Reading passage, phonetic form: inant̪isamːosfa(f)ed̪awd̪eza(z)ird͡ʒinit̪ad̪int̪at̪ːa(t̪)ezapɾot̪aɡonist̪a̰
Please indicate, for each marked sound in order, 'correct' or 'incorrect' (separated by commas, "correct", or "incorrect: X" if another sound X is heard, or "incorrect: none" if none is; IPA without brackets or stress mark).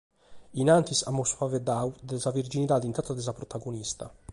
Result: incorrect: v, incorrect: v, incorrect: d̪